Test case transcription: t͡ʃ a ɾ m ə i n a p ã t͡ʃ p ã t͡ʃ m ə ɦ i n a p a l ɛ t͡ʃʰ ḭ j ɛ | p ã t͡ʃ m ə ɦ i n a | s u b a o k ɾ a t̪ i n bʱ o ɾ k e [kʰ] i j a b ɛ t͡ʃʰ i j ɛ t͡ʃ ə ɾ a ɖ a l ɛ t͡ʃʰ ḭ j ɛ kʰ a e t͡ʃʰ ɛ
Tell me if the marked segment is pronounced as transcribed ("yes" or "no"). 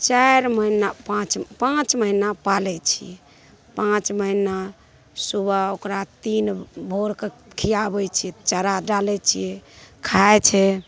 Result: yes